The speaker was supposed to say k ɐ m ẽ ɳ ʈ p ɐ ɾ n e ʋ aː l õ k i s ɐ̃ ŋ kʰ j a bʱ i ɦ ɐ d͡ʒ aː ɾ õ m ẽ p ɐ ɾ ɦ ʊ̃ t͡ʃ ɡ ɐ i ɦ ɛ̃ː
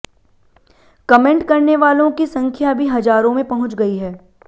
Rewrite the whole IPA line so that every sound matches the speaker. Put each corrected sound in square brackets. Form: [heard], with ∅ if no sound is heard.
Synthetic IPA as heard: k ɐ m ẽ ɳ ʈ [k] ɐ ɾ n e ʋ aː l õ k i s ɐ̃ ŋ kʰ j a bʱ i ɦ ɐ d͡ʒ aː ɾ õ m ẽ p ɐ [∅] ɦ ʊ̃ t͡ʃ ɡ ɐ i ɦ [ɛː]